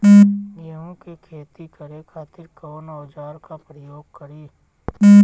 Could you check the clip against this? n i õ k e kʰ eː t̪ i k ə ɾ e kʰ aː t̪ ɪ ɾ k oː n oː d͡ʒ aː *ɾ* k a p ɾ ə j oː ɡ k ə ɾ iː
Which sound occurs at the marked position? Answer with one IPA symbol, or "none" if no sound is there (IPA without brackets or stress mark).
ɾ